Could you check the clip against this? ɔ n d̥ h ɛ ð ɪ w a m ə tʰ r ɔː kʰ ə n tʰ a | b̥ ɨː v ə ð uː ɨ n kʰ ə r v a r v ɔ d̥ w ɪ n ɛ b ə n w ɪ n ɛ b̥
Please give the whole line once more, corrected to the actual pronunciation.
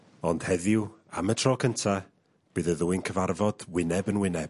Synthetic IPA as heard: ɔ n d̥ h ɛ ð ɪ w a m ə tʰ r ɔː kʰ ə n tʰ a | b̥ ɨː ð ə ð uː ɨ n kʰ ə v a r v ɔ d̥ w ɪ n ɛ b ə n w ɪ n ɛ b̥